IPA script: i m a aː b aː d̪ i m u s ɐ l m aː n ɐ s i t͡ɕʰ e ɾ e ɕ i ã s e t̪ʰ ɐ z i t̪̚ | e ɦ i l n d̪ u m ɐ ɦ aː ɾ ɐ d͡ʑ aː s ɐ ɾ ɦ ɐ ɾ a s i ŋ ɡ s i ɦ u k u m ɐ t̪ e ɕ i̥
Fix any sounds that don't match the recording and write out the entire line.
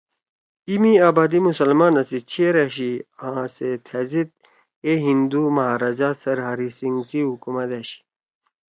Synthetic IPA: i m i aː b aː d̪ i m u s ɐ l m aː n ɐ s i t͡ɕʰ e ɾ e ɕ i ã s e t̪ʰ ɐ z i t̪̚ | e ɦ i n d̪ u m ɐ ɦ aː ɾ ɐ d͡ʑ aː s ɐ ɾ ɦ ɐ ɾ i s i ŋ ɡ s i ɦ u k u m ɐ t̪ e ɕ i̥